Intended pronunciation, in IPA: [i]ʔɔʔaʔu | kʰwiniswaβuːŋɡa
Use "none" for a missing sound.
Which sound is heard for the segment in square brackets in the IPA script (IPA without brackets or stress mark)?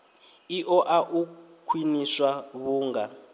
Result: i